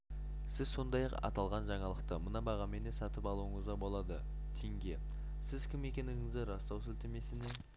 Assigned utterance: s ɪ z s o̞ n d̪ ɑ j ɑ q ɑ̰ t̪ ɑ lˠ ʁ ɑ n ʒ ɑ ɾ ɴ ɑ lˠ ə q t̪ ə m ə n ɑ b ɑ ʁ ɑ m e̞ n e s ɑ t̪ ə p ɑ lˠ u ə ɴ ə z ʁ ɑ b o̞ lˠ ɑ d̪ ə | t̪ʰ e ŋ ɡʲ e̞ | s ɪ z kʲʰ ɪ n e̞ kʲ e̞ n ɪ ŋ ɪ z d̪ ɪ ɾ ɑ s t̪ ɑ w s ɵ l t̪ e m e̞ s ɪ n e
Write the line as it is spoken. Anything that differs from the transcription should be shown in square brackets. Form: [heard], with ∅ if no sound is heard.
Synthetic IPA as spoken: s ɪ z s o̞ n d̪ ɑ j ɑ q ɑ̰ t̪ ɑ lˠ ʁ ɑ n ʒ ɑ [∅] ɴ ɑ lˠ ə q t̪ ə m ə n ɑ b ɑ ʁ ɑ m e̞ n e s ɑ t̪ ə p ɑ lˠ u ə ɴ ə z ʁ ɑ b o̞ lˠ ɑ d̪ ə | t̪ʰ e ŋ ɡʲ e̞ | s ɪ z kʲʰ ɪ [m] e̞ kʲ e̞ n ɪ ŋ ɪ z d̪ ɪ ɾ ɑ s t̪ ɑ w s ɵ l t̪ e m e̞ s ɪ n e